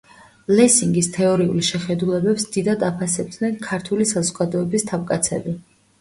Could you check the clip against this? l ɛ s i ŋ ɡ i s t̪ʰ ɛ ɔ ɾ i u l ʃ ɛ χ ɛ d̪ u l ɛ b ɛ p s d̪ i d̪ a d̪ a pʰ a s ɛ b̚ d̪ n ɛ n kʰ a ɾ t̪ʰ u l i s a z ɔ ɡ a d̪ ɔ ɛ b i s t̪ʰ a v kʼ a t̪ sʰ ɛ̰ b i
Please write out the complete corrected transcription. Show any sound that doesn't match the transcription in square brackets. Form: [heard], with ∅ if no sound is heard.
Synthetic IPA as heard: l ɛ s i ŋ ɡ i s t̪ʰ ɛ ɔ ɾ i u l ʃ ɛ χ ɛ d̪ u l ɛ b ɛ p s d̪ i d̪ a d̪ a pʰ a s ɛ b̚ d̪ n ɛ n kʰ a ɾ t̪ʰ u l i s a z ɔ ɡ a d̪ ɔ ɛ b i s t̪ʰ a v kʼ a t̪ sʰ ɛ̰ b i

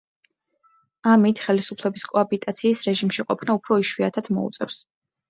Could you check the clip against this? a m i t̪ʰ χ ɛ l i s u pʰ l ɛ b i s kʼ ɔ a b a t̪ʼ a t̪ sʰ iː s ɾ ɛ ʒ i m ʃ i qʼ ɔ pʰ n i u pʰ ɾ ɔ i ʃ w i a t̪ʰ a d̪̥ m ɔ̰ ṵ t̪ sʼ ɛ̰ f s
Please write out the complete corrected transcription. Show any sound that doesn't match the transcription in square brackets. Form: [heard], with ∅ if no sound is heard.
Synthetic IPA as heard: a m i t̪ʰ χ ɛ l i s u pʰ l ɛ b i s kʼ ɔ a b [i] t̪ʼ a t̪ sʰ iː s ɾ ɛ ʒ i m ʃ i qʼ ɔ pʰ n [a] u pʰ ɾ ɔ i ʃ w i a t̪ʰ a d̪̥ m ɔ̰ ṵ t̪ sʼ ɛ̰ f s

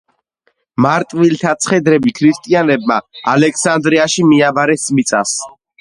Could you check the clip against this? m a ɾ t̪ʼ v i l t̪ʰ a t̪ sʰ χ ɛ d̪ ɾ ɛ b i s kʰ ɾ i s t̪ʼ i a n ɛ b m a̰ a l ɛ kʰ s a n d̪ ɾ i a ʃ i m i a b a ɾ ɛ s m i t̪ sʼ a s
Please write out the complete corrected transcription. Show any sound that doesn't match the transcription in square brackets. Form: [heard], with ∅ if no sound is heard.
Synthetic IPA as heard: m a ɾ t̪ʼ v i l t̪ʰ a t̪ sʰ χ ɛ d̪ ɾ ɛ b i [∅] kʰ ɾ i s t̪ʼ i a n ɛ b m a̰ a l ɛ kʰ s a n d̪ ɾ i a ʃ i m i a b a ɾ ɛ s m i t̪ sʼ a s

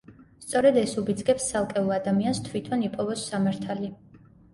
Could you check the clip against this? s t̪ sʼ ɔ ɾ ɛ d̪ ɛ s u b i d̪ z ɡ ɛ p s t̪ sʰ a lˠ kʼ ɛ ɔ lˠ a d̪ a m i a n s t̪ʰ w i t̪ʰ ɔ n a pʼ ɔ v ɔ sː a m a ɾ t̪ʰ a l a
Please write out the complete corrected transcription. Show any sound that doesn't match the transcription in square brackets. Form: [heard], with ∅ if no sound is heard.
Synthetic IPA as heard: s t̪ sʼ ɔ ɾ ɛ d̪ ɛ s u b i d̪ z ɡ ɛ p s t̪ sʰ a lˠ kʼ ɛ [u] lˠ a d̪ a m i a n s t̪ʰ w i t̪ʰ ɔ n [i] pʼ ɔ v ɔ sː a m a ɾ t̪ʰ a l [i]

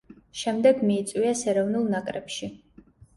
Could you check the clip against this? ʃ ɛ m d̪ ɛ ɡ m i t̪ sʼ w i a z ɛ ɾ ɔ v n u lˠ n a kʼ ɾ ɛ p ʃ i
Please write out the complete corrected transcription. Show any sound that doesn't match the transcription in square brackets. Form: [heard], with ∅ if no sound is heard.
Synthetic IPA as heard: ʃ ɛ m d̪ ɛ ɡ m [iː] t̪ sʼ w i a [s] ɛ ɾ ɔ v n u lˠ n a kʼ ɾ ɛ p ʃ i

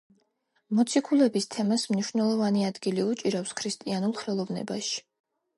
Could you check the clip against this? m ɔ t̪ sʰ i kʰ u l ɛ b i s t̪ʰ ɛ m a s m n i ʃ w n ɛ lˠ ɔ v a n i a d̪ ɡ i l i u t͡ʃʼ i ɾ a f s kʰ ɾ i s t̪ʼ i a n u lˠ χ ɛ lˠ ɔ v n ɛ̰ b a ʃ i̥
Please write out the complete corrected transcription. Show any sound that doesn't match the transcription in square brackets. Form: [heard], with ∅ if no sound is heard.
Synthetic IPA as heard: m ɔ t̪ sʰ i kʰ u l ɛ b i s t̪ʰ ɛ m a s m n i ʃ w n ɛ lˠ ɔ v a n i a d̪ ɡ i l i u t͡ʃʼ i ɾ a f s kʰ ɾ i s t̪ʼ i a n u lˠ χ ɛ lˠ ɔ v n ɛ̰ b a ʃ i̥

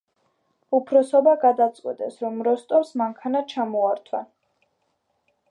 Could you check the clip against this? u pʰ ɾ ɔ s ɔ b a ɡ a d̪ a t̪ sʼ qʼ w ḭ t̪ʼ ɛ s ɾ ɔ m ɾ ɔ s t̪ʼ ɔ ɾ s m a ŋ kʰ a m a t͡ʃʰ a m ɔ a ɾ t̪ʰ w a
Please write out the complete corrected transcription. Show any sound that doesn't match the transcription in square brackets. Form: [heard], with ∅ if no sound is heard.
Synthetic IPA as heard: u pʰ ɾ ɔ s ɔ b a ɡ a d̪ a t̪ sʼ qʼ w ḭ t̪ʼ ɛ s ɾ ɔ m ɾ ɔ s t̪ʼ ɔ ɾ s m a ŋ kʰ a [n] a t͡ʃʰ a m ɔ a ɾ t̪ʰ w a

